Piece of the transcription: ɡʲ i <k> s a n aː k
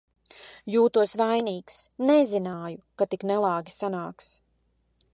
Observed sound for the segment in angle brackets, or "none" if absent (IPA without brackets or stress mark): none